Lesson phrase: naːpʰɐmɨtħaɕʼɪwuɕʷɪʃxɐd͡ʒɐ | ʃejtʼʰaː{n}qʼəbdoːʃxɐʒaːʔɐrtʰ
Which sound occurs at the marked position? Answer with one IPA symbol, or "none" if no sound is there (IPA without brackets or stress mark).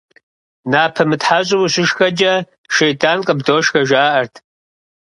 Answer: n